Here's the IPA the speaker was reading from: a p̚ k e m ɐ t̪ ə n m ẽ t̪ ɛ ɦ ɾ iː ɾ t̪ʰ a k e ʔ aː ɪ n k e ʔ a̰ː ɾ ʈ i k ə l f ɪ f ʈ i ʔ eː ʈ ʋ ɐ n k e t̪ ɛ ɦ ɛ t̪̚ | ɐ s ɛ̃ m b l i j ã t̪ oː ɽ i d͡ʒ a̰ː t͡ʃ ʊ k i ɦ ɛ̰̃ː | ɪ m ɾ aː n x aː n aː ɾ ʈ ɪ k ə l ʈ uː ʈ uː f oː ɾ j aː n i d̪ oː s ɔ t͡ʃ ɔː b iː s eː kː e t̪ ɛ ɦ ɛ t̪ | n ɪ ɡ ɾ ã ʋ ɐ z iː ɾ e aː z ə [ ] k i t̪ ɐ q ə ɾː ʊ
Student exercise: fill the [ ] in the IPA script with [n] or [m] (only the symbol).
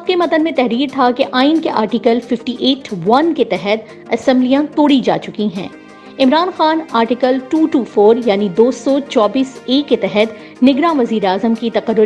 m